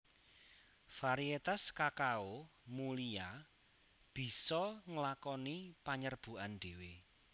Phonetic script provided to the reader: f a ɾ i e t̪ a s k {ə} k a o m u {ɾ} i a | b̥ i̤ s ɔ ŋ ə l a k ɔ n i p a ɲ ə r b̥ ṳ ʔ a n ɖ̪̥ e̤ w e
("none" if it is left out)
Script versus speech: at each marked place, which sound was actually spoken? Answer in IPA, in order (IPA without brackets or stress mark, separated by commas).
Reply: a, l